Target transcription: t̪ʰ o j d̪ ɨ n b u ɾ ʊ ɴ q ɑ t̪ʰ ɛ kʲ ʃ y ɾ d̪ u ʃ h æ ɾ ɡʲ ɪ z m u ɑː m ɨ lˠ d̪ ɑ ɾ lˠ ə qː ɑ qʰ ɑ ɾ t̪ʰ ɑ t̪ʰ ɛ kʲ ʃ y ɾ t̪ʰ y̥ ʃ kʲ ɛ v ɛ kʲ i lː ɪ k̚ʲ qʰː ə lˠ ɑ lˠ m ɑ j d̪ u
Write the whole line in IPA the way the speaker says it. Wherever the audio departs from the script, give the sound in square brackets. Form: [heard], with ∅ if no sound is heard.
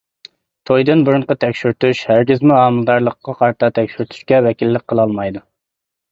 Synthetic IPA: t̪ʰ o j d̪ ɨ n b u ɾ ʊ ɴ q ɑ t̪ʰ ɛ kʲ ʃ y ɾ [t̪] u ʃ h æ ɾ ɡʲ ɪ z m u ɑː m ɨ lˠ d̪ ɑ ɾ lˠ ə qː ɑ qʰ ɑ ɾ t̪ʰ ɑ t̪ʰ ɛ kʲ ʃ y ɾ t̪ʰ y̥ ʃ kʲ ɛ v ɛ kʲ i lː ɪ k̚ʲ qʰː ə lˠ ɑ lˠ m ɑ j d̪ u